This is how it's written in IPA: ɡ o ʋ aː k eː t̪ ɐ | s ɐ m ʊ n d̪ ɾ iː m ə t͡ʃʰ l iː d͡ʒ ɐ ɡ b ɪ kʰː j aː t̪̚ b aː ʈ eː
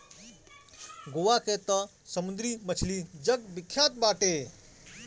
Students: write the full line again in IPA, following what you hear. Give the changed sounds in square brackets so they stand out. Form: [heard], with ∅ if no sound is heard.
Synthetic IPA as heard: ɡ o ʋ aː k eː t̪ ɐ | s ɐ m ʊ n d̪ ɾ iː m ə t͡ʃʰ l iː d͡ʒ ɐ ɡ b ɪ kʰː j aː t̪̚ b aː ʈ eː